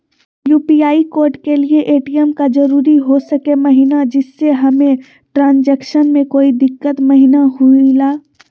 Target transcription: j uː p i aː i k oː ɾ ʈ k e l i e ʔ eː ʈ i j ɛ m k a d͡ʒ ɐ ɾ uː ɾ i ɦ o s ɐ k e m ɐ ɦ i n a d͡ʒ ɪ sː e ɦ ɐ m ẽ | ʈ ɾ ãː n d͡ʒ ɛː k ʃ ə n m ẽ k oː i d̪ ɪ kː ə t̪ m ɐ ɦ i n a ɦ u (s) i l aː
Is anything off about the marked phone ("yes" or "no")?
yes